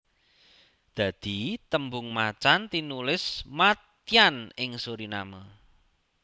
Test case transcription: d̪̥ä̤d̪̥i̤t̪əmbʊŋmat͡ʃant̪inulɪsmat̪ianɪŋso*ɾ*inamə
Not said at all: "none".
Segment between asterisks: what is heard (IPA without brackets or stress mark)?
ɾ